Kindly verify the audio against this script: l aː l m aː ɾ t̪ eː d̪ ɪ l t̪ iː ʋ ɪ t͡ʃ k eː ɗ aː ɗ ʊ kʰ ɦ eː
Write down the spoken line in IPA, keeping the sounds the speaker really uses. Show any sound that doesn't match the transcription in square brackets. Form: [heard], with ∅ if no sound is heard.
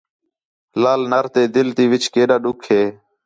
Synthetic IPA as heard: l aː l [n] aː ɾ t̪ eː d̪ ɪ l t̪ iː ʋ ɪ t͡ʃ k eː ɗ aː ɗ ʊ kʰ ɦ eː